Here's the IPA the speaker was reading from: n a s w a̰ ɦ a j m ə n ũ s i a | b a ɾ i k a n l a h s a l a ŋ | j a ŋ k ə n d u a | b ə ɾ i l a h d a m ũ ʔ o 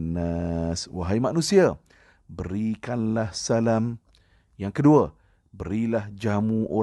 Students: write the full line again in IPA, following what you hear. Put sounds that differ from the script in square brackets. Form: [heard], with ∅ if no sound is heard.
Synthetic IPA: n a s w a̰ ɦ a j m [a] n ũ s i a | b [ə] ɾ i k a n l a h s a l a [m] | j a ŋ k ə [∅] d u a | b ə ɾ i l a h [d͡ʒ] a m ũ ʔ o